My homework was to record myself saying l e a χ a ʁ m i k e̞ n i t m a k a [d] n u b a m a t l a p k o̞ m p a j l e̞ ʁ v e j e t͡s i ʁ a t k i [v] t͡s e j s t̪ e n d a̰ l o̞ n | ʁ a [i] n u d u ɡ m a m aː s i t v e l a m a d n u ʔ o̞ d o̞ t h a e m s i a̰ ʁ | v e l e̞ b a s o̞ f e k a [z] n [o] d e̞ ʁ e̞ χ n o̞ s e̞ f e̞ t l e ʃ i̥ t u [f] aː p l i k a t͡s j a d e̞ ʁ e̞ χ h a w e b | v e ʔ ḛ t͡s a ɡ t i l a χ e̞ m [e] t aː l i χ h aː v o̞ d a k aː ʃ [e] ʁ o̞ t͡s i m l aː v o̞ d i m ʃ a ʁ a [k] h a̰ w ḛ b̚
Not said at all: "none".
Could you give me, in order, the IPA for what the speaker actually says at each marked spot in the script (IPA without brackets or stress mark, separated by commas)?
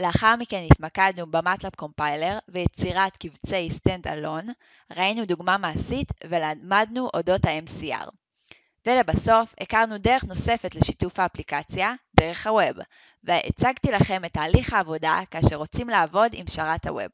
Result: d, v, i, ʁ, u, f, e, e, t